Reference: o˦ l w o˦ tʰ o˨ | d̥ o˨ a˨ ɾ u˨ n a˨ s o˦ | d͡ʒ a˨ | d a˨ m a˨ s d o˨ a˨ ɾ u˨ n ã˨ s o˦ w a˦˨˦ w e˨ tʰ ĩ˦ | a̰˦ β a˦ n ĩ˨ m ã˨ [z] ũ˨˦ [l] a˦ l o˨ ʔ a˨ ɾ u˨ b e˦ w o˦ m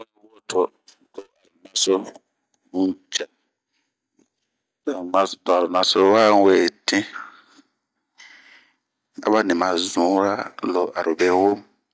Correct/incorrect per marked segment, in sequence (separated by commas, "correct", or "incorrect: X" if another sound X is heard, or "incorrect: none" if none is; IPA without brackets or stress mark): correct, incorrect: ɾ